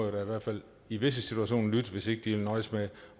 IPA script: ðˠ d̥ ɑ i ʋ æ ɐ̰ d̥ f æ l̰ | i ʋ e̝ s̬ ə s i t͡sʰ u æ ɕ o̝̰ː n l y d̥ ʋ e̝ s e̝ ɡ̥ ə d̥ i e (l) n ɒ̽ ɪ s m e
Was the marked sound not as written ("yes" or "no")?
no